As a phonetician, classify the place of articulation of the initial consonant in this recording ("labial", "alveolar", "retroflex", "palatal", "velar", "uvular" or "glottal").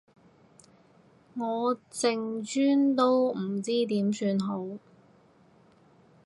velar